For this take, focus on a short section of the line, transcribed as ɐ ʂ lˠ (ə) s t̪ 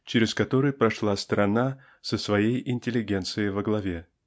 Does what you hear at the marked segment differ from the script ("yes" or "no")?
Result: yes